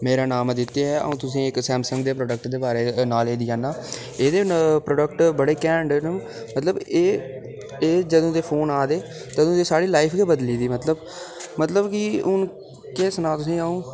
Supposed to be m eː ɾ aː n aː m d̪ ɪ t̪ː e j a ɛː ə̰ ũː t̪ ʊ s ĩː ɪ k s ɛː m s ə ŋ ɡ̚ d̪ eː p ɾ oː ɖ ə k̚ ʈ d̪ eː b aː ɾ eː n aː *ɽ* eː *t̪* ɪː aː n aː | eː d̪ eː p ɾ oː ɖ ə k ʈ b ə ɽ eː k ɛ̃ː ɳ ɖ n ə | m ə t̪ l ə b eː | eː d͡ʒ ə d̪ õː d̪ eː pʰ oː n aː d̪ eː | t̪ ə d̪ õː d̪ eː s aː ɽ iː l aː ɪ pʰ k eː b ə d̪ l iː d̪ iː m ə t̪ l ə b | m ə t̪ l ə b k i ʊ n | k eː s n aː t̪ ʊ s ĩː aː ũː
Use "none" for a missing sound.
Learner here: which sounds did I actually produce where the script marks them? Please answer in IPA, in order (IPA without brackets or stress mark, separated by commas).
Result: l, d̪